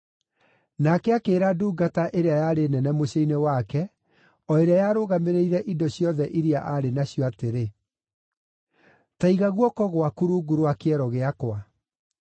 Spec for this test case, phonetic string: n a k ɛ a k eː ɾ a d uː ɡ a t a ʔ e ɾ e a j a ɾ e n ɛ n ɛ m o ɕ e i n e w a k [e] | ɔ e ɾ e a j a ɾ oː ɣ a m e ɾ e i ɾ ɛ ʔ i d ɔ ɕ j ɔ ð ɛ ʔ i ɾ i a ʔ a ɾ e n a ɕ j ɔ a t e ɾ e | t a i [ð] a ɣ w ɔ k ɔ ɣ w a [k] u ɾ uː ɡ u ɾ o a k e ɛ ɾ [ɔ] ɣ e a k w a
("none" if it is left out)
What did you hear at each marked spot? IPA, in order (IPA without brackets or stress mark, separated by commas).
ɛ, ɣ, k, ɔ